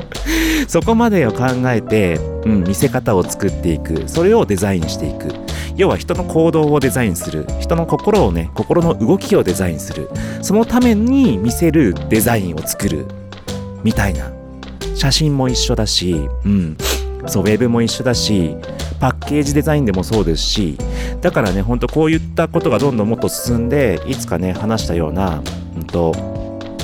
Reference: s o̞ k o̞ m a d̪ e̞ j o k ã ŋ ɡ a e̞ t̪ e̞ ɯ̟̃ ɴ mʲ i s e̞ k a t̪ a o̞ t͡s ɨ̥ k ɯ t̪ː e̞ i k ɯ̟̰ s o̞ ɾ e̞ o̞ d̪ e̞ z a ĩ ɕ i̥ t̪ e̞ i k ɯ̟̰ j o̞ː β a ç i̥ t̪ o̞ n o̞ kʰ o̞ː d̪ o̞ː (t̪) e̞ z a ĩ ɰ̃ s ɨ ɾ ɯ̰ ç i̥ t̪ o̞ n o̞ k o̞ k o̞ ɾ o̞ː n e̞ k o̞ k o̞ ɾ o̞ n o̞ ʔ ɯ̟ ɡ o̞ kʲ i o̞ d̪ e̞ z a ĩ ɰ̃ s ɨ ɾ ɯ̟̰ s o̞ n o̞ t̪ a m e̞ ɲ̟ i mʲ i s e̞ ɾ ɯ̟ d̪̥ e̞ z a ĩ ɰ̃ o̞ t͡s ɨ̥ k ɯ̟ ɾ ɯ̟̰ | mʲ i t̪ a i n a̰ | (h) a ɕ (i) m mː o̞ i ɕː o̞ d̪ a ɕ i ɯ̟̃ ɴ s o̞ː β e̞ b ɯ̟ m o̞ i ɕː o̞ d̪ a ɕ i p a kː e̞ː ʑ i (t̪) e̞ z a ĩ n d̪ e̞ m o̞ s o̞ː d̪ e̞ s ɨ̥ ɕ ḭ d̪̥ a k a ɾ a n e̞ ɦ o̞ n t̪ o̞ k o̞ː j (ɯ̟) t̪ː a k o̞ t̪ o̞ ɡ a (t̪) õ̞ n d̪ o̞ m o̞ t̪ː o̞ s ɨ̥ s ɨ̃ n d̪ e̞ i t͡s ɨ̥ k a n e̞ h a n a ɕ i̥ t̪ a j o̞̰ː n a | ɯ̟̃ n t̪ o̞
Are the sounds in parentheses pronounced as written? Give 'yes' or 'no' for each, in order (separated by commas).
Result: no, no, no, no, yes, no